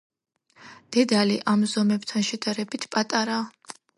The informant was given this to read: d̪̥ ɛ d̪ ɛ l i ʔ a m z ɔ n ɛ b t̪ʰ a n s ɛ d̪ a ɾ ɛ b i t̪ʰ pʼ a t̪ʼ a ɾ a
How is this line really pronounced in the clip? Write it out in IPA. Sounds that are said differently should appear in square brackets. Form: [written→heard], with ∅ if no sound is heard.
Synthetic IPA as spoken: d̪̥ ɛ d̪ [ɛ→a] l i ʔ a m z ɔ [n→m] ɛ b t̪ʰ a n [s→ʃ] ɛ d̪ a ɾ ɛ b i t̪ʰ pʼ a t̪ʼ a ɾ a